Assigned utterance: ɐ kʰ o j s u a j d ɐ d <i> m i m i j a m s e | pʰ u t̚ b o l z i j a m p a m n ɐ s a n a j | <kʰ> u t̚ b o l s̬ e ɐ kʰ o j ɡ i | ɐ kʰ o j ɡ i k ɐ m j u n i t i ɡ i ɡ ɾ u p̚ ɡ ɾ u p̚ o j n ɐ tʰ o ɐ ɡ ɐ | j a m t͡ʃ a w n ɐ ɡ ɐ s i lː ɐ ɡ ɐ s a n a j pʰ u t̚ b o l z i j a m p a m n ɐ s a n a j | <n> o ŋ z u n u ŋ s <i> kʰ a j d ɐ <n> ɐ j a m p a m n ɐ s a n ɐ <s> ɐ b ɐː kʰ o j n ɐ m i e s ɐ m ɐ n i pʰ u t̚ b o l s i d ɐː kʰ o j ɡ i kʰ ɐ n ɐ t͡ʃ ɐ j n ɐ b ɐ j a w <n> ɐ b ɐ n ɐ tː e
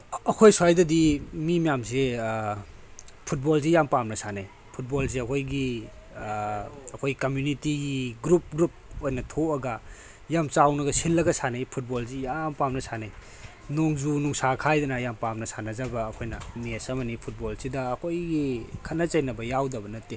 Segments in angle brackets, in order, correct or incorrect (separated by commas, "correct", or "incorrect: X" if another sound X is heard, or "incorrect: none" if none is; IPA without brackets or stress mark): correct, incorrect: pʰ, correct, incorrect: a, correct, incorrect: z, incorrect: d